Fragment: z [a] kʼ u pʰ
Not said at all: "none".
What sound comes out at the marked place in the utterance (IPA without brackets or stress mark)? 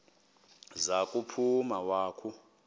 a